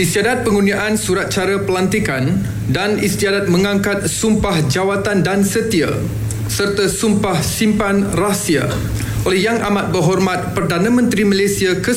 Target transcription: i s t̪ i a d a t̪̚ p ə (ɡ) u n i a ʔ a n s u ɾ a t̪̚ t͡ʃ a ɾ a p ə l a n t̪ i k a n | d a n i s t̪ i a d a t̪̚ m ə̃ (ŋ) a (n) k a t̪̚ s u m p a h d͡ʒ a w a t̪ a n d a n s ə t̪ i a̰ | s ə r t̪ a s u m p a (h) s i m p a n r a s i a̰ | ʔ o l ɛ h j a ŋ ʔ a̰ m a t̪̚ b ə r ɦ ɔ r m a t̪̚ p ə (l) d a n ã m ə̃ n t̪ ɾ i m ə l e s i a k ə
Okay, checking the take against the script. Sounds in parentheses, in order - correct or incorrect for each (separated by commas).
incorrect, correct, incorrect, correct, incorrect